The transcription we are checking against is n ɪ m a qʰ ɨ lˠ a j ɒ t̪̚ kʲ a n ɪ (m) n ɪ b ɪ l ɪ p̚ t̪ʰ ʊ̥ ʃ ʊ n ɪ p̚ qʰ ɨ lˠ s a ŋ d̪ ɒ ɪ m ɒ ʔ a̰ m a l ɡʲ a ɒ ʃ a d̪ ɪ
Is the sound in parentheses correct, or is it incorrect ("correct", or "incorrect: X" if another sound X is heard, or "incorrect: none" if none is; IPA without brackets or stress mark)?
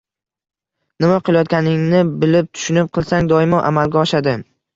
incorrect: ŋ